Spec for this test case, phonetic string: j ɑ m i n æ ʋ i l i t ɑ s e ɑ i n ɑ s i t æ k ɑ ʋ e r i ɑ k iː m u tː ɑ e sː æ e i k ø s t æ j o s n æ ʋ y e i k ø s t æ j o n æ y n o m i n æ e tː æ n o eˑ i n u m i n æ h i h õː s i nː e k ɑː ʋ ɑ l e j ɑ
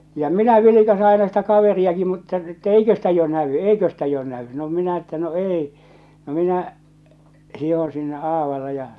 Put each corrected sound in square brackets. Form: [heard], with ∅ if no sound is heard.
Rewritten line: j ɑ m i n æ ʋ i l i [k] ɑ s e ɑ i n ɑ s i t æ k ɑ ʋ e r i ɑ k [i] m u tː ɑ e [tː] æ e i k ø s t æ j o [∅] n æ ʋ y e i k ø s t æ j o n æ y n o m i n æ e tː æ n o eˑ i n [o] m i n æ h i h õː s i nː e [ʔ] ɑː ʋ ɑ l e j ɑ